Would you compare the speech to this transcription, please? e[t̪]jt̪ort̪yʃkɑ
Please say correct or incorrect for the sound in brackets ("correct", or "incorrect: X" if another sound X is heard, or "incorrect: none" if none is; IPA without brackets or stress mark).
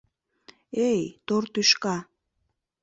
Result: incorrect: none